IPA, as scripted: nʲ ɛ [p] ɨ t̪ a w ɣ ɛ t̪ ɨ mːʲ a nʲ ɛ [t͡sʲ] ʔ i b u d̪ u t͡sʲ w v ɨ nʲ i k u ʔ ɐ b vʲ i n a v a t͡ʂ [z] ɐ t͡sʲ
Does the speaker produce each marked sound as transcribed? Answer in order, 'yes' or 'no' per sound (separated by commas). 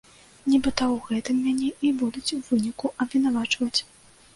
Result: no, no, no